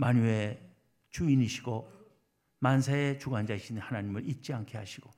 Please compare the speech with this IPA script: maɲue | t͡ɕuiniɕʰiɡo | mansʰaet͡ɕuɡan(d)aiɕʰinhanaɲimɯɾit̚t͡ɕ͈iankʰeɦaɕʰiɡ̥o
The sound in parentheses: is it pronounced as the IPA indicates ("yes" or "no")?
no